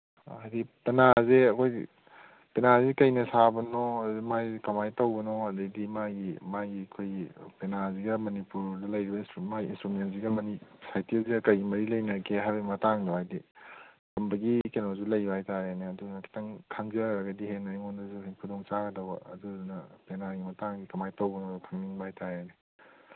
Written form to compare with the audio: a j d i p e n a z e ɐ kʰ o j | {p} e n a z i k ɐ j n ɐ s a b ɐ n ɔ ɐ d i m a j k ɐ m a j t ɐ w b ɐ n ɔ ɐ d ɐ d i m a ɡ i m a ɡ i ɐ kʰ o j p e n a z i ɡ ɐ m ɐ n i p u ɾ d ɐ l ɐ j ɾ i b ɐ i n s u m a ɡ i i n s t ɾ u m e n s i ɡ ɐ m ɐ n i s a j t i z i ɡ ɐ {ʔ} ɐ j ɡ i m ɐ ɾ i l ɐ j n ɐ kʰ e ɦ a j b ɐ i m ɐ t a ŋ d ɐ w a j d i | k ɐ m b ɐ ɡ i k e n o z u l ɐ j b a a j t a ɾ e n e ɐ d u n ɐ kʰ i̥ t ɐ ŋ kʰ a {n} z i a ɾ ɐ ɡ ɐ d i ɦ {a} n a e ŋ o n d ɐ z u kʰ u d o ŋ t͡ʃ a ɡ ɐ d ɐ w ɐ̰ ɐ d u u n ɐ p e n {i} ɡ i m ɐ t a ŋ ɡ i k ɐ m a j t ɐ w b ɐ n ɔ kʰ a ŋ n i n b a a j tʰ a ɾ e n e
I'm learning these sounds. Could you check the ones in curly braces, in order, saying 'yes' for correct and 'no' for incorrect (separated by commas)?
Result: yes, no, no, no, no